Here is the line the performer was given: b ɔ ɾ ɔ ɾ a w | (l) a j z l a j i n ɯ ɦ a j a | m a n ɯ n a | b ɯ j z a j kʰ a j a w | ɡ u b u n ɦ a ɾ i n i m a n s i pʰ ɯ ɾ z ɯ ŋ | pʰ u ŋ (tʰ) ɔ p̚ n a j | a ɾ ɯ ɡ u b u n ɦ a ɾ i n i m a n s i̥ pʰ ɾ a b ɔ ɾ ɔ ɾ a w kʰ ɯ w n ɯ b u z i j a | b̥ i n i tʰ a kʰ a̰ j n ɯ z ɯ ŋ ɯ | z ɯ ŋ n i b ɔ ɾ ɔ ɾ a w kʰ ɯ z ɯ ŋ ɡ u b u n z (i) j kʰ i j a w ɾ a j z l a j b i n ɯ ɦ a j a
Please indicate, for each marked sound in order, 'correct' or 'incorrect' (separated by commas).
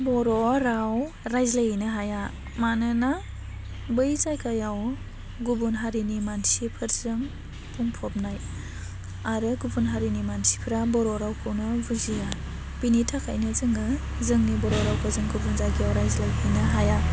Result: incorrect, incorrect, incorrect